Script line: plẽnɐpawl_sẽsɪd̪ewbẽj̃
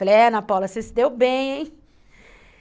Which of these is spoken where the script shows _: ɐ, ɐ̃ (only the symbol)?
ɐ